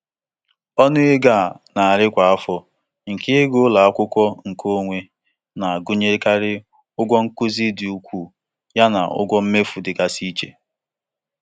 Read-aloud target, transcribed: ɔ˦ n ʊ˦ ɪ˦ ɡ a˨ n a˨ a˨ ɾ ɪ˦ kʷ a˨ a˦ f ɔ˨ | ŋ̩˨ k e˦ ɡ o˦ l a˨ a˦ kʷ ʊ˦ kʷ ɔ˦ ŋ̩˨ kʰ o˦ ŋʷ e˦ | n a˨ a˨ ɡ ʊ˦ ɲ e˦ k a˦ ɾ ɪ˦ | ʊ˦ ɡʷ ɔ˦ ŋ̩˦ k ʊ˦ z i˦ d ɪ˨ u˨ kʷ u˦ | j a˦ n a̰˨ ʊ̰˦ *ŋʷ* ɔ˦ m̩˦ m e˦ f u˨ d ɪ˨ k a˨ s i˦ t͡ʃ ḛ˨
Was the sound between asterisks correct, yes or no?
no